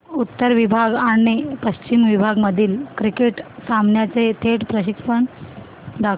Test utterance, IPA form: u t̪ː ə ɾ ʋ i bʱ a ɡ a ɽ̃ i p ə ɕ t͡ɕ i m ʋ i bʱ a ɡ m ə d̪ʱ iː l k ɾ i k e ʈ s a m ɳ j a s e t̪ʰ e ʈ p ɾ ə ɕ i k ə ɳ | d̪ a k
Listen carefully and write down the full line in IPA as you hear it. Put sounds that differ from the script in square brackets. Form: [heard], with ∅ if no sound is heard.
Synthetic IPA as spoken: u t̪ː ə ɾ ʋ i bʱ a ɡ a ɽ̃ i p ə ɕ t͡ɕ i m ʋ i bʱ a ɡ m ə d̪ʱ iː l k ɾ i k e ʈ s a m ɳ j a [t͡s] e t̪ʰ e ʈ p ɾ ə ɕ i k ə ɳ | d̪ a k